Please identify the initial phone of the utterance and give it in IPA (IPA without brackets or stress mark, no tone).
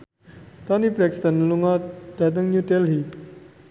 t̪